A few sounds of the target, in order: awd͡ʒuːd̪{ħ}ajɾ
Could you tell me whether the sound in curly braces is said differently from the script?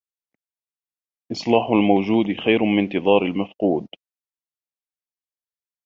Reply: yes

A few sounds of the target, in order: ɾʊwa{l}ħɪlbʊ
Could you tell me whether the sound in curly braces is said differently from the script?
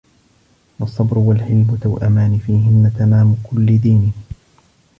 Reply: no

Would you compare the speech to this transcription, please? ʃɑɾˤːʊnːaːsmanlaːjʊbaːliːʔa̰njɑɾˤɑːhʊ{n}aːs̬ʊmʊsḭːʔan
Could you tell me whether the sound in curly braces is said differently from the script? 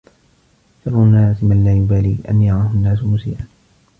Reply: yes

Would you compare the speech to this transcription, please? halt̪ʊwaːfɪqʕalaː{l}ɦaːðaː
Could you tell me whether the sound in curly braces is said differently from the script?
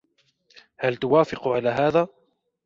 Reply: yes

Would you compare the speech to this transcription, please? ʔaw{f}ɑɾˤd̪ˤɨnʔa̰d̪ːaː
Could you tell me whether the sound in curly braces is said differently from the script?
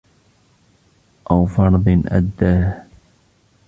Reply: no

